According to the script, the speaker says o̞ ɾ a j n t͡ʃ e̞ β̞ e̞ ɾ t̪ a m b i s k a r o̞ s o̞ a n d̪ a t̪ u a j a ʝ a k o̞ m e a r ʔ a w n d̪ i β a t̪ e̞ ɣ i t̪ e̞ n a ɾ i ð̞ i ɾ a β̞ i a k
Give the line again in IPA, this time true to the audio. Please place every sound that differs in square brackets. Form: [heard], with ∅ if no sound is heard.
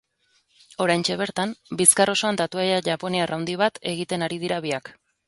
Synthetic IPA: o̞ ɾ a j n t͡ʃ e̞ β̞ e̞ ɾ t̪ a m b i s k a r o̞ s o̞ a n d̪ a t̪ u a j a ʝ a [p] o̞ [n] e a r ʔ a w n d̪ i β a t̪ e̞ ɣ i t̪ e̞ n a ɾ i ð̞ i ɾ a β̞ i a k